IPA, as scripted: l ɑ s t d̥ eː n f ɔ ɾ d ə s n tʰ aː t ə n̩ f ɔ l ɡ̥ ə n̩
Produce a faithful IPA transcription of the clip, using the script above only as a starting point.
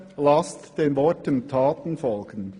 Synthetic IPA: l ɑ s t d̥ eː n v ɔ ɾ t ə n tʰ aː t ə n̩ f ɔ l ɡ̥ ə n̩